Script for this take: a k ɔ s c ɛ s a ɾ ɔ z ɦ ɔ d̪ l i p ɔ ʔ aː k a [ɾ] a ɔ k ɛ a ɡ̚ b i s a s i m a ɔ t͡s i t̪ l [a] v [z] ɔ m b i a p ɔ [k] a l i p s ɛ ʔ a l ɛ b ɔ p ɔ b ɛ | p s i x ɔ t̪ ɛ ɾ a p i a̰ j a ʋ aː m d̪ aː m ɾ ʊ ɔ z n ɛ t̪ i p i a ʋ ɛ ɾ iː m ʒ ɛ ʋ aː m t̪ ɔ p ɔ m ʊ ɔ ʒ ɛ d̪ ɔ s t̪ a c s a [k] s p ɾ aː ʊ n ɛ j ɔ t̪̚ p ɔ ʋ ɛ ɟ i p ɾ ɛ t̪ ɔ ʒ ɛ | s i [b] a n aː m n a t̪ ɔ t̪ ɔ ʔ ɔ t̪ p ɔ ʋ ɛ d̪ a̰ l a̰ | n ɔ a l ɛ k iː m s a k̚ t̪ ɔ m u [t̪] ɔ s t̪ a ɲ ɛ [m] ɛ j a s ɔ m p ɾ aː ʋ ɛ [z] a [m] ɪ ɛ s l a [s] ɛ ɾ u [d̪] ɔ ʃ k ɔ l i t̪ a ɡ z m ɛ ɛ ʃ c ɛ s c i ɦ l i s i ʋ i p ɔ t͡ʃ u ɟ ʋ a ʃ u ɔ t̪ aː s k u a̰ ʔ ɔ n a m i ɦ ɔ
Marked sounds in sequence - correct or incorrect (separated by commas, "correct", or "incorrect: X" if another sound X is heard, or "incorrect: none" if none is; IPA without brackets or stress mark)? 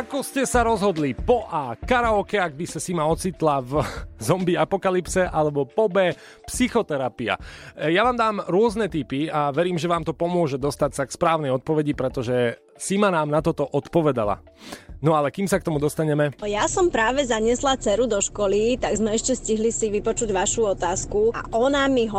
correct, correct, correct, correct, correct, incorrect: m, incorrect: d̪, correct, correct, incorrect: ɲ, incorrect: t͡s, correct